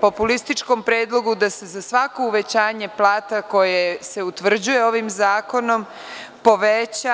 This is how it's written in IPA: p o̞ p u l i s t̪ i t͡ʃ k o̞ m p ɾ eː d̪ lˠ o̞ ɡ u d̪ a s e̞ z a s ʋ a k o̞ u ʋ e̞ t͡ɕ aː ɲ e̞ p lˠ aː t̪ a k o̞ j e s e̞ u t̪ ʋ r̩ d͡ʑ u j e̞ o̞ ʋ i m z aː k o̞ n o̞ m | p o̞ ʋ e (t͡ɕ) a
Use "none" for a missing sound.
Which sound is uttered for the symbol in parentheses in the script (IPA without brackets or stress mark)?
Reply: t͡ɕ